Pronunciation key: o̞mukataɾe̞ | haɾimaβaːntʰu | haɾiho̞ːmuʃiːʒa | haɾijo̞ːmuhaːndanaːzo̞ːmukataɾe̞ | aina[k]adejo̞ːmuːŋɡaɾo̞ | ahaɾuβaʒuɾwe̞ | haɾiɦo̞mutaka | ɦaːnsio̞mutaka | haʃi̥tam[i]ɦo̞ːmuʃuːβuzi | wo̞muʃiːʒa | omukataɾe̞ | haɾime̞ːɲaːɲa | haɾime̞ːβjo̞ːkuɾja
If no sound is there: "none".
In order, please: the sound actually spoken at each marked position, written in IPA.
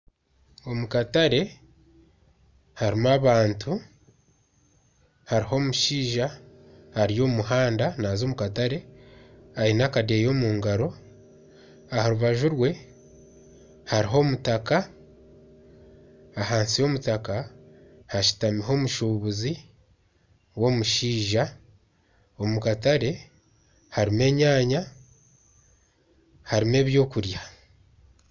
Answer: k, i

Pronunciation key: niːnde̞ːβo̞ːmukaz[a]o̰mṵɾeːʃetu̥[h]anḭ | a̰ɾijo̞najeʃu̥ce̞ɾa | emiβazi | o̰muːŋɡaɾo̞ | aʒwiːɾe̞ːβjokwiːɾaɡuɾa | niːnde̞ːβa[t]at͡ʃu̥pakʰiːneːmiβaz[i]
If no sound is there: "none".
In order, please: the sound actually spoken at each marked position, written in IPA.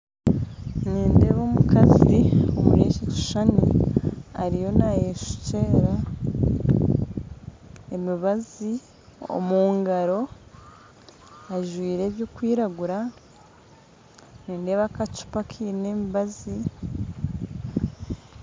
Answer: i, ʃ, k, i

